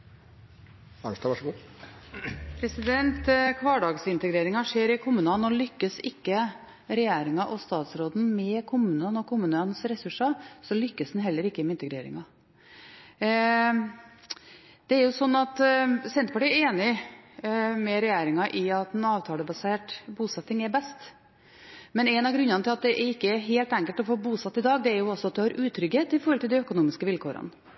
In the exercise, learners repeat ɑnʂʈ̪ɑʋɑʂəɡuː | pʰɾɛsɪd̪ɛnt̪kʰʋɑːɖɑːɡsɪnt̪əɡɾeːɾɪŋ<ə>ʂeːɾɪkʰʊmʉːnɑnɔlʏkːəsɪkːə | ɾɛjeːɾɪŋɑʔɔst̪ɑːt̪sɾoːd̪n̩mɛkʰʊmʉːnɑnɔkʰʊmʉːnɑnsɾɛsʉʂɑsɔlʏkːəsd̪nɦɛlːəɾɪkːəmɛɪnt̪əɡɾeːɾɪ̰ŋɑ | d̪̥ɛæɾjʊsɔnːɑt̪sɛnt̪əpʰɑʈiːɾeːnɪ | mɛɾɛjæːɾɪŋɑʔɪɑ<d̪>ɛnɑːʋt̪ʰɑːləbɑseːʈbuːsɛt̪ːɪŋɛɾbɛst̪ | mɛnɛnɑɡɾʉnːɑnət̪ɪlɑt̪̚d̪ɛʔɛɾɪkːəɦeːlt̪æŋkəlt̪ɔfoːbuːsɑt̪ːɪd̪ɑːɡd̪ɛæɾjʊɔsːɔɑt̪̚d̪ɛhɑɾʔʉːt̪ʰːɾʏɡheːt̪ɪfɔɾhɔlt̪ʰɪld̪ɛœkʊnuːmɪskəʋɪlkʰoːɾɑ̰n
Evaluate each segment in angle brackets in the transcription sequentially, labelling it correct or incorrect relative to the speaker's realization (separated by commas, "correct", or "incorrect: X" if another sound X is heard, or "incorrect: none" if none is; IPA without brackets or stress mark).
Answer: incorrect: ɑ, incorrect: t̪